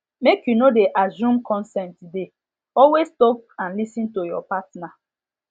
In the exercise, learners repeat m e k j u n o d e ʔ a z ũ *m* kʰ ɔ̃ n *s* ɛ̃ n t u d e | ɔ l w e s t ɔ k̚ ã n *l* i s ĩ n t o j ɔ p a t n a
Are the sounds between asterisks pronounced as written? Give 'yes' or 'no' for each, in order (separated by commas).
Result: yes, yes, yes